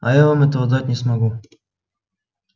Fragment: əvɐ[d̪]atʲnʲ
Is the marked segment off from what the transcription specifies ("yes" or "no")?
no